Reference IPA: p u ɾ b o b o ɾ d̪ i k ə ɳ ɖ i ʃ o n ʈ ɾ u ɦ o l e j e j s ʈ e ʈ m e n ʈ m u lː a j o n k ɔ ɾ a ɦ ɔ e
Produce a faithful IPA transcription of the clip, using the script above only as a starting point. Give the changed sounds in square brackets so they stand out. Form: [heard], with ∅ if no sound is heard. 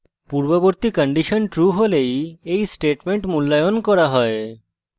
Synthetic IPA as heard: p u ɾ b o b o ɾ [t̪] i k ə ɳ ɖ i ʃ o n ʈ ɾ u ɦ o l e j e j s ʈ e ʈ m e [ɳ] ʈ m u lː a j o n k ɔ ɾ a ɦ ɔ e